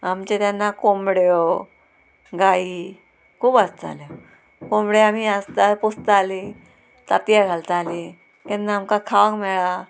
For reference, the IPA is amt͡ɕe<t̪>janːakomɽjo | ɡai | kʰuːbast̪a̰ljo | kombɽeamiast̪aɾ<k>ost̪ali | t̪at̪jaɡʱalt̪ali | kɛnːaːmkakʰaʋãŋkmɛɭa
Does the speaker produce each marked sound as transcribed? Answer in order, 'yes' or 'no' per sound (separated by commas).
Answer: yes, no